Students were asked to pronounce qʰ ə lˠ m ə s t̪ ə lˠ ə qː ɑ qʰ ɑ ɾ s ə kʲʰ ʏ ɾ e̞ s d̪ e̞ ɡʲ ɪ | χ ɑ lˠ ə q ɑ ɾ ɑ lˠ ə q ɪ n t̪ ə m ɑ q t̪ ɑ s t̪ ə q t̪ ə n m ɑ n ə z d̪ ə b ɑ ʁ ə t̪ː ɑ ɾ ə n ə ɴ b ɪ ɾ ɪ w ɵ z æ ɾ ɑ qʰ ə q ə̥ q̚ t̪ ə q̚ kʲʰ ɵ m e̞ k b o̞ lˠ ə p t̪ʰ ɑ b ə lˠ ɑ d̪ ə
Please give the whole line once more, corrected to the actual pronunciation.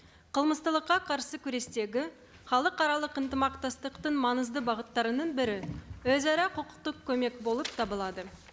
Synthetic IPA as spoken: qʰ ə lˠ m ə s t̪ ə lˠ ə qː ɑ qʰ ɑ ɾ s ə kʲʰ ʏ ɾ e̞ s t̪ e̞ ɡʲ ɪ | χ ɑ lˠ ə q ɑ ɾ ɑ lˠ ə q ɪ n t̪ ə m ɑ q t̪ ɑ s t̪ ə q t̪ ə n m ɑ n ə z d̪ ə b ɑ ʁ ə t̪ː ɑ ɾ ə n ə ɴ b ɪ ɾ ɪ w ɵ z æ ɾ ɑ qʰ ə q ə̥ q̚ t̪ ə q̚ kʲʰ ɵ m e̞ k b o̞ lˠ ə p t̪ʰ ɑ b ə lˠ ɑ d̪ ə